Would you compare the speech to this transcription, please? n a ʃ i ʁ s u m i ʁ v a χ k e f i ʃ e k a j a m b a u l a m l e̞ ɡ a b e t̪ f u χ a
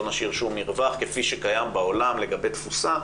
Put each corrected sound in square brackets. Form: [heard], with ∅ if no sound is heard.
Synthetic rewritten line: n a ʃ i ʁ [ʃ] u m i ʁ v a χ k e f i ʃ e k a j a m b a [o] l a m l e̞ ɡ a b e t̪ f u [s] a